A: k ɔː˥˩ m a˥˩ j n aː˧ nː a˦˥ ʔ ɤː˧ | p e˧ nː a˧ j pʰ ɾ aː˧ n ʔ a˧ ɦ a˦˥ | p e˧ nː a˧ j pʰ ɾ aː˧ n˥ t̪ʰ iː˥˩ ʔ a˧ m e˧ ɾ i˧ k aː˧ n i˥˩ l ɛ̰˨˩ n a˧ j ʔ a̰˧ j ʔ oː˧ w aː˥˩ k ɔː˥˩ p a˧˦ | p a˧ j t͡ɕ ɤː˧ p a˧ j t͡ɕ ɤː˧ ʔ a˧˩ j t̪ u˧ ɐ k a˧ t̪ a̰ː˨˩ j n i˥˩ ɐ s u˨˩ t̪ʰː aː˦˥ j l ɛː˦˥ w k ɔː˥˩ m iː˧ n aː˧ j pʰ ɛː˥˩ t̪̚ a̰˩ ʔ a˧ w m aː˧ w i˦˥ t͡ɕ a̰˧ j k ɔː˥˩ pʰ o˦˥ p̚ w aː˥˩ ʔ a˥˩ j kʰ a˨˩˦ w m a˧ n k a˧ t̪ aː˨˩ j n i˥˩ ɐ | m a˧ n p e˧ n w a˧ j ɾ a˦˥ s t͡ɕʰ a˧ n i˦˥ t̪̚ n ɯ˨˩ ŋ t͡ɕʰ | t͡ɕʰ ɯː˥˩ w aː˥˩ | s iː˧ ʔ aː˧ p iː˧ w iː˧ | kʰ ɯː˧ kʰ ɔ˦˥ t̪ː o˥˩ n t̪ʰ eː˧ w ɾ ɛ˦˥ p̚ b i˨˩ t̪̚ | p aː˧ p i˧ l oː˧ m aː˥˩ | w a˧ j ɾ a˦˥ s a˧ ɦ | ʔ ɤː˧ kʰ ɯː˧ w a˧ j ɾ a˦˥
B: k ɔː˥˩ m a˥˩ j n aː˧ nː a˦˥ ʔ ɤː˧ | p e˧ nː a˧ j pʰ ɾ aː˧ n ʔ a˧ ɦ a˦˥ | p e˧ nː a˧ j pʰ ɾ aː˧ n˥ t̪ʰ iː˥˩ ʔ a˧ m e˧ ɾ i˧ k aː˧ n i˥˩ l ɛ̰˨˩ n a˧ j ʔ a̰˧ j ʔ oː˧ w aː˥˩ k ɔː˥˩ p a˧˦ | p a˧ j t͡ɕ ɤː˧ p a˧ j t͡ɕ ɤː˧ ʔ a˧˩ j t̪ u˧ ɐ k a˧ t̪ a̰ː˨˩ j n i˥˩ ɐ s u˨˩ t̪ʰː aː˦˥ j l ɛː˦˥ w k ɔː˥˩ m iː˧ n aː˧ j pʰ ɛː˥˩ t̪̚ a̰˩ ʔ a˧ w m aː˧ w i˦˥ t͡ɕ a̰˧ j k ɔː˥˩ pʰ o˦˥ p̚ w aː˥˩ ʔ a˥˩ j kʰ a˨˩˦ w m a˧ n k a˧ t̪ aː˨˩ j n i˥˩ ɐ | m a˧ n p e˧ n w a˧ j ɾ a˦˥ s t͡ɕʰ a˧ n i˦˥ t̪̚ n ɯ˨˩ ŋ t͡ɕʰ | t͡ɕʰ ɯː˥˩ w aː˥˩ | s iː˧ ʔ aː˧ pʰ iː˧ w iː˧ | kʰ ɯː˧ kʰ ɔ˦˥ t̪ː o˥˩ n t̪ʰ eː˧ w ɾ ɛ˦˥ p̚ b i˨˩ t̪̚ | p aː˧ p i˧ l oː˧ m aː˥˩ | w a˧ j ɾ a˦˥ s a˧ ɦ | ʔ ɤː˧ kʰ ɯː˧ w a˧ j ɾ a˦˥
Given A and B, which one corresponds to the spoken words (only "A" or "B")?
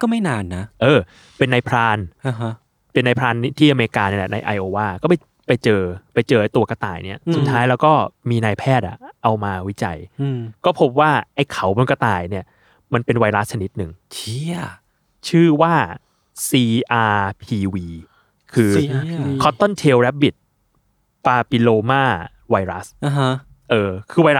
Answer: B